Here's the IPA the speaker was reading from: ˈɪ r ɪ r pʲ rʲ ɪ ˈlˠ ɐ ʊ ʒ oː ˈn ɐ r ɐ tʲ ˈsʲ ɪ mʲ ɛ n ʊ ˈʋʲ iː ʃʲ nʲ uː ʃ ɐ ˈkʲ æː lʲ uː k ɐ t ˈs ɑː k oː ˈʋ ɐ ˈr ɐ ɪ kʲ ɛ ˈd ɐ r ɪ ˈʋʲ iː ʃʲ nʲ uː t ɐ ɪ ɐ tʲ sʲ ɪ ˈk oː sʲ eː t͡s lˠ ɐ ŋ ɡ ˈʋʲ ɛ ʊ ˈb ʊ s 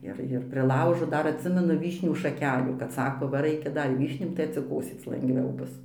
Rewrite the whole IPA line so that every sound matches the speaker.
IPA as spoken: ˈɪ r ɪ r pʲ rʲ ɪ ˈlˠ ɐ ʊ ʒ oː ˈd ɐ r ɐ tʲ ˈsʲ ɪ mʲ ɛ n ʊ ˈʋʲ iː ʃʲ nʲ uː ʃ ɐ ˈkʲ æː lʲ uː k ɐ t ˈs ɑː k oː ˈʋ ɐ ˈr ɐ ɪ kʲ ɛ ˈd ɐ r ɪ ˈʋʲ iː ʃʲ nʲ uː t ɐ ɪ ɐ tʲ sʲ ɪ ˈk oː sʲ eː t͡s lˠ ɐ ŋ ɡ ˈʋʲ ɛ ʊ ˈb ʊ s